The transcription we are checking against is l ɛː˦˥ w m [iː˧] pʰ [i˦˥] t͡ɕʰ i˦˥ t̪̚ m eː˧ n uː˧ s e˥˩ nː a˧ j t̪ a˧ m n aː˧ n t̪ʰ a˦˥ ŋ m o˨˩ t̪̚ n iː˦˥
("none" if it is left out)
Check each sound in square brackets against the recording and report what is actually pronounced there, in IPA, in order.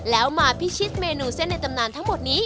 aː˧, i˦˥

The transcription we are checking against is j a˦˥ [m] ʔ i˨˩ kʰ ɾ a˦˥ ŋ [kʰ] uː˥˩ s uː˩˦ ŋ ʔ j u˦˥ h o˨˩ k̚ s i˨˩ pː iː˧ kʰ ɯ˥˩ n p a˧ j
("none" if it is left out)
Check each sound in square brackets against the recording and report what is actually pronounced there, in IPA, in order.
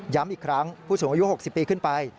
m, pʰ

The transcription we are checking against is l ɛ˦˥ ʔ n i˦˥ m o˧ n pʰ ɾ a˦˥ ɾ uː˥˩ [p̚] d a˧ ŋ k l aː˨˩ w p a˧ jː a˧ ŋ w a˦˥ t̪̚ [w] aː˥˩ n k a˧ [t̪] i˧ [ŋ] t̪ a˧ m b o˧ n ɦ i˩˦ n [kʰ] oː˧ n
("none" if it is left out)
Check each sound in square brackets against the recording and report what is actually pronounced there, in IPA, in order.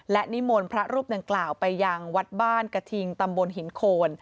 p̚, b, t̪ʰ, ŋ, kʰ

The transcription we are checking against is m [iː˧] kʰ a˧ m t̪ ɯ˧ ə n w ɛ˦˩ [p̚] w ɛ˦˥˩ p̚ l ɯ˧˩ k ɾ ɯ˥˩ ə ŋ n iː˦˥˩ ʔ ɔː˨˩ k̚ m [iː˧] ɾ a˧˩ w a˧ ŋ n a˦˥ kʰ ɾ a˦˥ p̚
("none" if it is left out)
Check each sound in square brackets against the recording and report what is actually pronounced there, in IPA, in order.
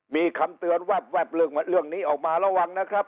iː˧, p̚, aː˧

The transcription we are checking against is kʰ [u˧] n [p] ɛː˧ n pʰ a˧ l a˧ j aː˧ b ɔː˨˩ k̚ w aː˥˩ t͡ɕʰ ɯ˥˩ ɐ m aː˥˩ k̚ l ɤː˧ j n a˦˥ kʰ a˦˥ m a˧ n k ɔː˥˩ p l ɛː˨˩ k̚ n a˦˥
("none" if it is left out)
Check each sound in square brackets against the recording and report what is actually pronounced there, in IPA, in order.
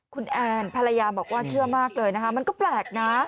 u˧, ʔ

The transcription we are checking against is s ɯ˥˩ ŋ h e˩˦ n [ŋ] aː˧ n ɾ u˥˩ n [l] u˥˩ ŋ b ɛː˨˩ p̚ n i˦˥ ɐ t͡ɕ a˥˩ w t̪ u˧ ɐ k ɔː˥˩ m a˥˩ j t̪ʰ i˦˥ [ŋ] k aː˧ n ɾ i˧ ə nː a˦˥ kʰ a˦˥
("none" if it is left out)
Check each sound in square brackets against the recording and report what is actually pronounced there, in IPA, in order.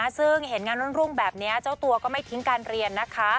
ŋ, ɾ, ŋ

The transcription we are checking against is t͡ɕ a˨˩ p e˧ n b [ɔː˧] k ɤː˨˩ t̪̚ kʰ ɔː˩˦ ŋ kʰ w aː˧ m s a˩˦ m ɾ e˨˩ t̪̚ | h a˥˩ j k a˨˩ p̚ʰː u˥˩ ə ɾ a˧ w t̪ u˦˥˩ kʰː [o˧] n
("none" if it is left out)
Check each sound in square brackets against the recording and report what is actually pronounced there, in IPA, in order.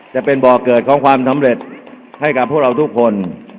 ɔː˨˩, o˧

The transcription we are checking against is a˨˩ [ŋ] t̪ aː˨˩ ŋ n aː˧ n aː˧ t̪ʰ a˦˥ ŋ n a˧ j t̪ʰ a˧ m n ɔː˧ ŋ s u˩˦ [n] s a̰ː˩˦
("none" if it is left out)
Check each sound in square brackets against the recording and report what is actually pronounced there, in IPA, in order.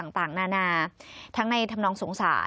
ŋ, ŋ

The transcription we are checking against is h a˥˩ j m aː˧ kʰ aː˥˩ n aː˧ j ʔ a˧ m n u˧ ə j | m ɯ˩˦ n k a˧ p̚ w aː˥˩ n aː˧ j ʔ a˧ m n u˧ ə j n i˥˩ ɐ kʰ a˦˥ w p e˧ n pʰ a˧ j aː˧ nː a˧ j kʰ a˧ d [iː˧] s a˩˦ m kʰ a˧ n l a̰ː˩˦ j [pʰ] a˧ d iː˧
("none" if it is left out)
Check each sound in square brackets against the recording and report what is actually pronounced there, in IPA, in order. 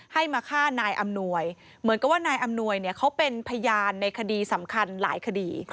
iː˧, kʰ

